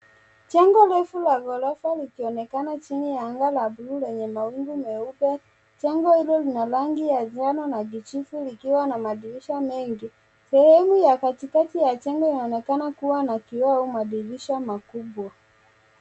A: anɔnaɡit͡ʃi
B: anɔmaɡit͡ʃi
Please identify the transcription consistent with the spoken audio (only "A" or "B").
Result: A